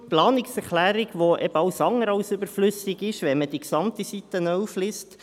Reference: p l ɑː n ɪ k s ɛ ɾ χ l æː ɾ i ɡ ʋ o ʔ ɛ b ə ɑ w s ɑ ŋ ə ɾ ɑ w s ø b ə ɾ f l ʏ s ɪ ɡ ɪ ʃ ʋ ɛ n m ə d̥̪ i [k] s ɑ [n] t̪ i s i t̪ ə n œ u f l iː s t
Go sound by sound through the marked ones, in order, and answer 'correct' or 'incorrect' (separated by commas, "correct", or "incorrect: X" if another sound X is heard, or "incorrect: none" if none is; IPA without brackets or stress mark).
correct, incorrect: m